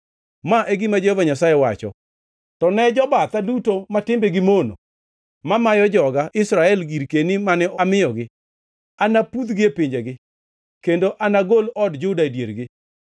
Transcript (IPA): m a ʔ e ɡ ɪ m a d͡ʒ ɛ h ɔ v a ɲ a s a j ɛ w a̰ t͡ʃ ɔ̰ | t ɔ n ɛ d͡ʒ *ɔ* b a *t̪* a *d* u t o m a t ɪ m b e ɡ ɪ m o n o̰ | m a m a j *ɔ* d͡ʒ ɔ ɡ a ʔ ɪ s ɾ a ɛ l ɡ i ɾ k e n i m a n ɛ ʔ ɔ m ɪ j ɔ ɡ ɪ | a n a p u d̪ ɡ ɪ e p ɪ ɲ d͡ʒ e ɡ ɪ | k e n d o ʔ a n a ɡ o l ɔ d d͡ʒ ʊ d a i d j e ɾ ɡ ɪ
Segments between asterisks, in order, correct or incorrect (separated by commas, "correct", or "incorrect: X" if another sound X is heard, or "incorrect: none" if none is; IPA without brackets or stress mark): correct, correct, correct, correct